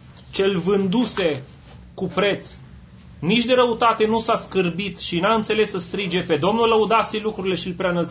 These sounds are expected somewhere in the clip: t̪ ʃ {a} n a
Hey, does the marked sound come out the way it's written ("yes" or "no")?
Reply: no